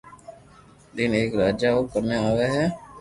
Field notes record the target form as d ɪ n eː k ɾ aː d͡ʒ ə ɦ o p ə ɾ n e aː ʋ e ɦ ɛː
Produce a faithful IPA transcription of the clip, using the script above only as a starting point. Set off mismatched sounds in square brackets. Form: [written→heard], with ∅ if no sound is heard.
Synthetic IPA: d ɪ n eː k ɾ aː d͡ʒ [ə→a] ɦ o [p→k] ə ɾ n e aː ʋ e ɦ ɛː